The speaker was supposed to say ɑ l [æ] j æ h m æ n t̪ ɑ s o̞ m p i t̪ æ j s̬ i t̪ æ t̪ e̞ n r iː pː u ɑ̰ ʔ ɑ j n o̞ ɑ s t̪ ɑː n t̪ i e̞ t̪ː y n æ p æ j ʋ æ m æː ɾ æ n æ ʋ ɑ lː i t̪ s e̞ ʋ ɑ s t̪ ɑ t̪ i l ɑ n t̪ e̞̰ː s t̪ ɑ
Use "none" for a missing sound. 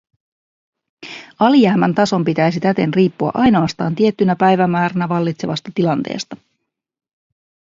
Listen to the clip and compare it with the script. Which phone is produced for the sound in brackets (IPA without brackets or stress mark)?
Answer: i